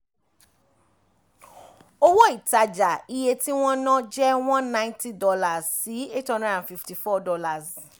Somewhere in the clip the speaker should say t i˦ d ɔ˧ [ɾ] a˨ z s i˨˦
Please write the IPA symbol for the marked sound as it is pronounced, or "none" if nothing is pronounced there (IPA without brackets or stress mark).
l